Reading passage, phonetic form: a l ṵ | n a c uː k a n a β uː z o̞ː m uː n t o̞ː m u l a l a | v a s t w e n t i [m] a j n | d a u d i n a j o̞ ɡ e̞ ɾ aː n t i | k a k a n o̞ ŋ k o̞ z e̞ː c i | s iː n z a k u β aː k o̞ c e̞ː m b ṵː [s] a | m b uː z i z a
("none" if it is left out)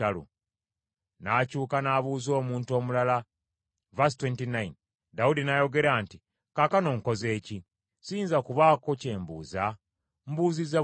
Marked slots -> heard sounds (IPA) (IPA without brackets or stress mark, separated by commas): n, z